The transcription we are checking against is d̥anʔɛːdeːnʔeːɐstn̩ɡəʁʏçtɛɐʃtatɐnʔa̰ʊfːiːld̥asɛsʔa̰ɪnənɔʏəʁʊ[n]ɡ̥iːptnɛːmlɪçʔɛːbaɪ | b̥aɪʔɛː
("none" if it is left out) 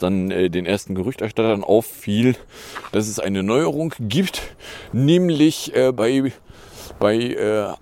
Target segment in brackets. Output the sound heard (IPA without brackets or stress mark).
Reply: ŋ